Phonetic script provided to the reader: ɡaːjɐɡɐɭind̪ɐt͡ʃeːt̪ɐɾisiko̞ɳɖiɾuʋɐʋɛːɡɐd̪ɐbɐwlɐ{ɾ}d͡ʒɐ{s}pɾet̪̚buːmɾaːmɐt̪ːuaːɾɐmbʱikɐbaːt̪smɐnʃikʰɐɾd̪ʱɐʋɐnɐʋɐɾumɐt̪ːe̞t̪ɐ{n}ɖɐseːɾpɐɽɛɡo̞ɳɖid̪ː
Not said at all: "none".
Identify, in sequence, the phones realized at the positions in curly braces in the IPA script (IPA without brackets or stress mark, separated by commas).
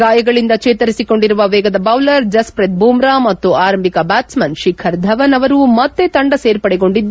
ɾ, s, ɳ